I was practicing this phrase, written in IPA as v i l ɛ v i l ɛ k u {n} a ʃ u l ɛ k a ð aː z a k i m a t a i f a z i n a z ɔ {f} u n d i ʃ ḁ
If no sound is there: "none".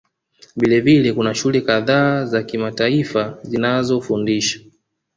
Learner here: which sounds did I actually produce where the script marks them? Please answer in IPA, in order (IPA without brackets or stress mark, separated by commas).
n, f